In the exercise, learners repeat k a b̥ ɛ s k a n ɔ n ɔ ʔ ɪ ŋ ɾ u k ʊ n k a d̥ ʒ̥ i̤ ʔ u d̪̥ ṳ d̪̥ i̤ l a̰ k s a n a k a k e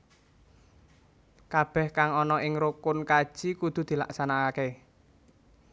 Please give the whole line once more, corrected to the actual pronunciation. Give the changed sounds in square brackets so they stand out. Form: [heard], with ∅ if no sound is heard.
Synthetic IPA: k a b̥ ɛ [h] k a [ŋ] ɔ n ɔ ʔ ɪ ŋ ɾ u k ʊ n k a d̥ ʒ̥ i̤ [k] u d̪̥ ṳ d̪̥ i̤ l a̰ k s a n a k a k e